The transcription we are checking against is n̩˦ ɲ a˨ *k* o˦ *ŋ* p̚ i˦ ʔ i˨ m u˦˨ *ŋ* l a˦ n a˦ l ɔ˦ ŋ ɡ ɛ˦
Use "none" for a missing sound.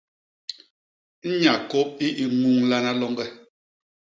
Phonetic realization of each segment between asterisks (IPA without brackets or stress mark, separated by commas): k, none, ŋ